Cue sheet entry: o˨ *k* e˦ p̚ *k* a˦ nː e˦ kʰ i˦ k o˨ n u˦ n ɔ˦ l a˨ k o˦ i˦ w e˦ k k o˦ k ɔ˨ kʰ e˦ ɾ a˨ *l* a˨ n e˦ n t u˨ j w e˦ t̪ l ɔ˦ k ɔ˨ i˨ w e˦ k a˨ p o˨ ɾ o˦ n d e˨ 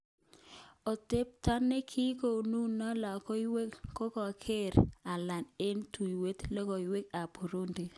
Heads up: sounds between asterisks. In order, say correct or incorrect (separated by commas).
incorrect, incorrect, correct